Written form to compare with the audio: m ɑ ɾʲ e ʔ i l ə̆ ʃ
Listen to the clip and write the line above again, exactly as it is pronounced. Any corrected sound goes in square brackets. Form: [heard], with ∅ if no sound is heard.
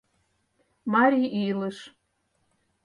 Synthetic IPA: m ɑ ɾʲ [i] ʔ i l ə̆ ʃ